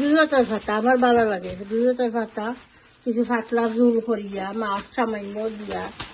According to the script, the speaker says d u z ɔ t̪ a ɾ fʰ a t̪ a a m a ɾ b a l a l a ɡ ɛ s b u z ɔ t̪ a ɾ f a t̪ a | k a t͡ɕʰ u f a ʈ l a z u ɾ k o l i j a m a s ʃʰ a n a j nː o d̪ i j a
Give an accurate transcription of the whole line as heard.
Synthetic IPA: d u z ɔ t̪ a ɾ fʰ a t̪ a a m a ɾ b a l a l a ɡ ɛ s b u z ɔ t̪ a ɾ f a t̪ a | k i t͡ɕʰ u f a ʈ l a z u l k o ɾ i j a m a s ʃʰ a m a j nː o d̪ i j a